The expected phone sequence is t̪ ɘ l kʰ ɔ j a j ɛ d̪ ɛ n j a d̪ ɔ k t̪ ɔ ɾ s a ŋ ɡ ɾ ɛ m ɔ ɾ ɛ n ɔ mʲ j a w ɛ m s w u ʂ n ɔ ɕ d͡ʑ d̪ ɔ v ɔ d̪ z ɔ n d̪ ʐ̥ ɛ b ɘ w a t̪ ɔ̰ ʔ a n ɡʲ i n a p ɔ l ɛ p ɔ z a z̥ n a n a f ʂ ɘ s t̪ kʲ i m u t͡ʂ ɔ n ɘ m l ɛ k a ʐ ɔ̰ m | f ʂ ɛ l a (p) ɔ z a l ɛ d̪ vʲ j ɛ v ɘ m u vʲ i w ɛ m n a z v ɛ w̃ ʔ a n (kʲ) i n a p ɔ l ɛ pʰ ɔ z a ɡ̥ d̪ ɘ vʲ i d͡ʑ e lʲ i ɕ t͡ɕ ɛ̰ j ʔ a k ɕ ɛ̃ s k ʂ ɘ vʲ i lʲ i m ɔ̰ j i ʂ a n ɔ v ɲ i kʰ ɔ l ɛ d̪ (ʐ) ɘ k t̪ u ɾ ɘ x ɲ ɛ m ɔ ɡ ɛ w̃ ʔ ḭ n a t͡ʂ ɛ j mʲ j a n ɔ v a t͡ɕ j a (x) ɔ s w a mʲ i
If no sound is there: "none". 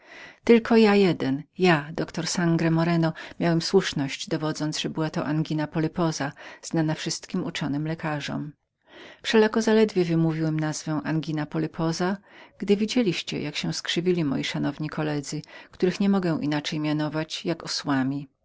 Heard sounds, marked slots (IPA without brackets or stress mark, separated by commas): k, ɡʲ, z, k